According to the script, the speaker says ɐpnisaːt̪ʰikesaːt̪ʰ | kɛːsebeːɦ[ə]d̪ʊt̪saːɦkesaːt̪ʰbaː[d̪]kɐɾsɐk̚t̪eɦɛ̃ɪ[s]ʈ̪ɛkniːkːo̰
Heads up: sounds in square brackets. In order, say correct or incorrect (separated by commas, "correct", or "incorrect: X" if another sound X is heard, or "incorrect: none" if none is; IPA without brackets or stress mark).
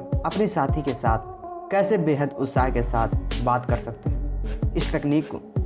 correct, incorrect: t̪, correct